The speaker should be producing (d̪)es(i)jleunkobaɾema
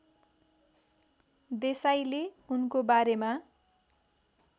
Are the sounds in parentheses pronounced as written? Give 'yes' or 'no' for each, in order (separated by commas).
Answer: yes, no